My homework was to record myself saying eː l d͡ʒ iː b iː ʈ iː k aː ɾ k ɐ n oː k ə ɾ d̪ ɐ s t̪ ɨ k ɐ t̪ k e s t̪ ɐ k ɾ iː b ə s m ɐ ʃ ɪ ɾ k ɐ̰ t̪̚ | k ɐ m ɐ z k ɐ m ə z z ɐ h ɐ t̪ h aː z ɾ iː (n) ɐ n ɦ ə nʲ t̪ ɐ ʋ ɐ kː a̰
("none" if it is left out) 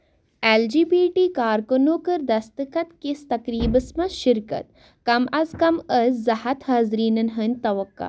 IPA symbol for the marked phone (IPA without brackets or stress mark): n